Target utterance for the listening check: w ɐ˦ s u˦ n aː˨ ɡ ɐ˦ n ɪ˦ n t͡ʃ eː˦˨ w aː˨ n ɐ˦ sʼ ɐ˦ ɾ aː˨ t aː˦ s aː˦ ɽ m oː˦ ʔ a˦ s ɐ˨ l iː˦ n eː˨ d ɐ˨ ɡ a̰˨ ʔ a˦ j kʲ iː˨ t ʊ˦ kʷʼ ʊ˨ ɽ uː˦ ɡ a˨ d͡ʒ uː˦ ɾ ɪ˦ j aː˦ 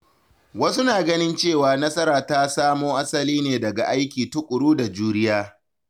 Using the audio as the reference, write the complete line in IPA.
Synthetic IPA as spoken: w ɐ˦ s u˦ n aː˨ ɡ ɐ˦ n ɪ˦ n t͡ʃ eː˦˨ w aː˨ n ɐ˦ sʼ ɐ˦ ɾ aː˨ t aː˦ s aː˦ m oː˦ ʔ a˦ s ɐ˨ l iː˦ n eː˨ d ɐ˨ ɡ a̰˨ ʔ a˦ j kʲ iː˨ t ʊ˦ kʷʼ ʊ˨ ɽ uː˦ d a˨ d͡ʒ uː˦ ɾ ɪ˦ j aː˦

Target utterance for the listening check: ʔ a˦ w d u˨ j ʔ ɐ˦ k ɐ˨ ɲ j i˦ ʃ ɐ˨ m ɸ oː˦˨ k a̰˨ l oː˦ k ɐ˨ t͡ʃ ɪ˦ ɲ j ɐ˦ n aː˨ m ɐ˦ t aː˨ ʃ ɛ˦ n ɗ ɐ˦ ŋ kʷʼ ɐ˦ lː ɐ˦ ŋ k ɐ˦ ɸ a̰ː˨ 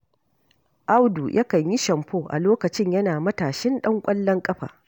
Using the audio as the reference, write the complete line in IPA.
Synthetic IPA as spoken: ʔ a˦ w d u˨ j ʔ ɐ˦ k ɐ˨ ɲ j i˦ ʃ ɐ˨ m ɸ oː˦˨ ʔ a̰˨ l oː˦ k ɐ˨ t͡ʃ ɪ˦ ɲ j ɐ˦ n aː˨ m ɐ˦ t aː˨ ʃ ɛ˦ n ɗ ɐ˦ ŋ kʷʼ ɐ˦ lː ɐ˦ ŋ kʼ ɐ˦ ɸ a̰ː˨

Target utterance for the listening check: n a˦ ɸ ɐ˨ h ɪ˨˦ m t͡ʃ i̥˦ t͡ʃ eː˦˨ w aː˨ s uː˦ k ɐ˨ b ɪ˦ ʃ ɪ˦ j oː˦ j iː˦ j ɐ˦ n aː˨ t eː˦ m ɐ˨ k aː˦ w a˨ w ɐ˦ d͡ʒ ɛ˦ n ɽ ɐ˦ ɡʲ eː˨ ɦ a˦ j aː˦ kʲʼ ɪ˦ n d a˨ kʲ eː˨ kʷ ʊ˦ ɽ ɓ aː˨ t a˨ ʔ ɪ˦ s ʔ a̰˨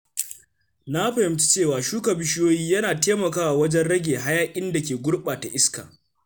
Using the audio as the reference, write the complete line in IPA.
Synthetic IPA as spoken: n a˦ ɸ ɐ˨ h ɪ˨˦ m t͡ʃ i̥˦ t͡ʃ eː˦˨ w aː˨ ʃ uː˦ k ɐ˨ b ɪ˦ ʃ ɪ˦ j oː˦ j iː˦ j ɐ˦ n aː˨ t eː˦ m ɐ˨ k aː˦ w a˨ w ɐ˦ d͡ʒ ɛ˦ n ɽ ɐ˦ ɡʲ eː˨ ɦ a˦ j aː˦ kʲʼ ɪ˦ n d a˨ kʲ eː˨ ɡʷ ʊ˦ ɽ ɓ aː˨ t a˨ ʔ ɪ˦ s k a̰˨

